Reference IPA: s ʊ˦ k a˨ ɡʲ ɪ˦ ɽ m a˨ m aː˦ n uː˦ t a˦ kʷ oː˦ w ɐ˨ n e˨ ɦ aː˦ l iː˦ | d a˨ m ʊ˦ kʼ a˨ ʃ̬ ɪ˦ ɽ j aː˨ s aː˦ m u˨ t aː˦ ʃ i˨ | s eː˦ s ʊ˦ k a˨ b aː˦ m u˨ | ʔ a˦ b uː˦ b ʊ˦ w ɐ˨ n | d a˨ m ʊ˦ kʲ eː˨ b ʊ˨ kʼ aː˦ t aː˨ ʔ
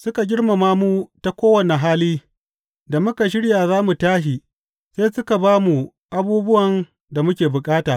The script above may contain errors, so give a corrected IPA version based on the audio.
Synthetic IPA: s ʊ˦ k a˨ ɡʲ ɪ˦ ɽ m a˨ m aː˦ m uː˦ t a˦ kʷ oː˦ w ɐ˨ n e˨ ɦ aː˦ l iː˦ | d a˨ m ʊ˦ k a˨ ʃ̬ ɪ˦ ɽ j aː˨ z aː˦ m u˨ t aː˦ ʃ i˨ | s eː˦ s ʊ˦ k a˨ b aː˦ m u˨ | ʔ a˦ b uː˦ b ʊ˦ w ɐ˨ n | d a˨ m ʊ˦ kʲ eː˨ b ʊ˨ kʼ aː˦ t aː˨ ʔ